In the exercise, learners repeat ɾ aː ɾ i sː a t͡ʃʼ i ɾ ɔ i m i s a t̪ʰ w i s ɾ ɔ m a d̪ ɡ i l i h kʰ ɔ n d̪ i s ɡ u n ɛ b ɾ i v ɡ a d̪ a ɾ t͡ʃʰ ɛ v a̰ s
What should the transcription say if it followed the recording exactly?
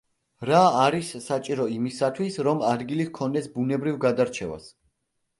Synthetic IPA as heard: ɾ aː ɾ i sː a t͡ʃʼ i ɾ ɔ i m i s a t̪ʰ w i s ɾ ɔ m a d̪ ɡ i l i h kʰ ɔ n d̪ ɛ s b u n ɛ b ɾ i v ɡ a d̪ a ɾ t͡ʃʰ ɛ v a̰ s